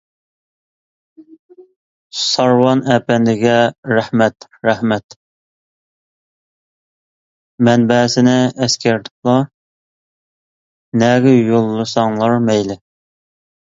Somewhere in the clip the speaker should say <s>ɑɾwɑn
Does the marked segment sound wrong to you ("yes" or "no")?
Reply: no